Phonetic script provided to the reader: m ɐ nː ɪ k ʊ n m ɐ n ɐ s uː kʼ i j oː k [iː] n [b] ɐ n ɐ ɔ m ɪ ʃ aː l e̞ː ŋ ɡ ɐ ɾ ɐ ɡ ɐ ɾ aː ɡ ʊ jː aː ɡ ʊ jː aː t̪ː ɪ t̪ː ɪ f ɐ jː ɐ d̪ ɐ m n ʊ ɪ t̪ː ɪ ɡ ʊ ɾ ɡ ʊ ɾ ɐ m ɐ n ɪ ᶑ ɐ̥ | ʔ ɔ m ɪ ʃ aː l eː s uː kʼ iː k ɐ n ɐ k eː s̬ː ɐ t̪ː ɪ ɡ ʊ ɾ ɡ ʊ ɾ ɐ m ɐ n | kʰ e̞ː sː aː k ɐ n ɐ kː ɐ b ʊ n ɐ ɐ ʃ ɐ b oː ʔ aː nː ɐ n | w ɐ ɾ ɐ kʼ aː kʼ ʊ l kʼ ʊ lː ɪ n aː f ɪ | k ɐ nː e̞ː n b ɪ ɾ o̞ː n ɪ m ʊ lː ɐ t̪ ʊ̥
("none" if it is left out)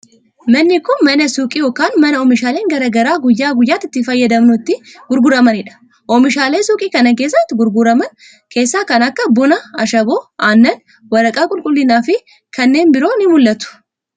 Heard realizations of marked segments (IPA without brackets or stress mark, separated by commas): aː, m